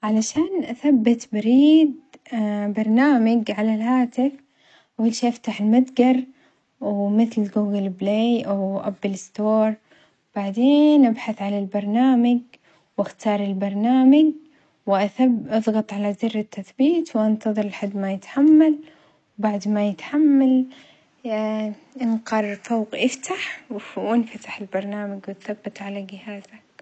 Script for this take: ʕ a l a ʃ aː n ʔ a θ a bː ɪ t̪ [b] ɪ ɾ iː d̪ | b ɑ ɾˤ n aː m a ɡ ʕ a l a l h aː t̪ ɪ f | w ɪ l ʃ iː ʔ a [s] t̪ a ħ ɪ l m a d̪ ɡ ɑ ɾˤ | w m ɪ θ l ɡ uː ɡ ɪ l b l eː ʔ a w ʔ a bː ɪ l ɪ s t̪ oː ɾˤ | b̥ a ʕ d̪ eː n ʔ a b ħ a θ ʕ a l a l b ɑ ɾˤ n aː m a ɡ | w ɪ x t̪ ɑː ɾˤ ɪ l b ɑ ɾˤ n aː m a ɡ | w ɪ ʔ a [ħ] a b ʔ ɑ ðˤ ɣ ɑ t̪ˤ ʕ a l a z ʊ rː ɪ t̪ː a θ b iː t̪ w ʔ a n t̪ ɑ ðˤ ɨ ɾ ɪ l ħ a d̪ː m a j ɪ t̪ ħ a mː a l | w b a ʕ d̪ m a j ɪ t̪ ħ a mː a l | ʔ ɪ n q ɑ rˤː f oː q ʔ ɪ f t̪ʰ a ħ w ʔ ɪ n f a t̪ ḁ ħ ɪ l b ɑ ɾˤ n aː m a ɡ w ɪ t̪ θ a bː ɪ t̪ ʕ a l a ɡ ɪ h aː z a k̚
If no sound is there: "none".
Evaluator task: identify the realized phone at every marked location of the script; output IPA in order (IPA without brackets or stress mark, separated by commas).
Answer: b, f, θ